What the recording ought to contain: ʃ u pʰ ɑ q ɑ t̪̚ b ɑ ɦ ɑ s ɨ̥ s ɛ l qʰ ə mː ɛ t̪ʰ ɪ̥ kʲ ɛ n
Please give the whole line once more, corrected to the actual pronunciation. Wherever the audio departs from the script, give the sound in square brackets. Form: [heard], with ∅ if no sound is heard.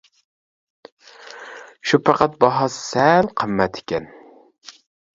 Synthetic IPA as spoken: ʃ u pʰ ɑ q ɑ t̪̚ b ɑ ɦ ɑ s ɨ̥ s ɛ l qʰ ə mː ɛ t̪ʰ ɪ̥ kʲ ɛ n